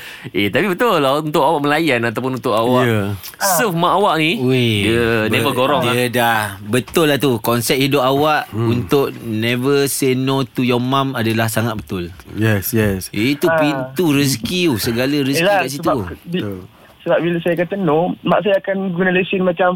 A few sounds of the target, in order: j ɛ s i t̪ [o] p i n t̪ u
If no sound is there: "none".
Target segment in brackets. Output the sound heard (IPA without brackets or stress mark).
u